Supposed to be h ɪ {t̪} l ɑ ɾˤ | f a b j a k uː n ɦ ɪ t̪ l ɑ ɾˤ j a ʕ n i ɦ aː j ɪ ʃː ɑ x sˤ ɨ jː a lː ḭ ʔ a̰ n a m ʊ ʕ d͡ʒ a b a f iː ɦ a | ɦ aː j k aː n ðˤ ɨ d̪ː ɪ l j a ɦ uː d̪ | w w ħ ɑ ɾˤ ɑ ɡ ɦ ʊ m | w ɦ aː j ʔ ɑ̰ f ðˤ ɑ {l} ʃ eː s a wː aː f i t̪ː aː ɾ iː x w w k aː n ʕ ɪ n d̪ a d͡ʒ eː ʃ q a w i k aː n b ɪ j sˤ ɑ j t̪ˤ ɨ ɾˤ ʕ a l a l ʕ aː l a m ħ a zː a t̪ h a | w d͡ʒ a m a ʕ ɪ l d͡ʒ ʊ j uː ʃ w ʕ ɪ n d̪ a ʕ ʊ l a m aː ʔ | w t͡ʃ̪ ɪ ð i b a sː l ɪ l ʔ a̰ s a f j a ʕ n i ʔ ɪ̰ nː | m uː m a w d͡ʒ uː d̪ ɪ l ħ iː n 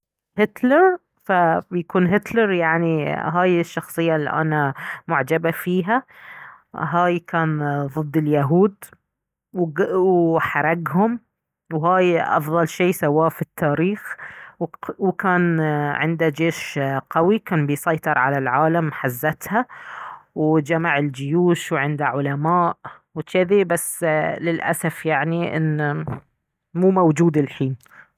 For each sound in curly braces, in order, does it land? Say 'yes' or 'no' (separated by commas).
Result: yes, yes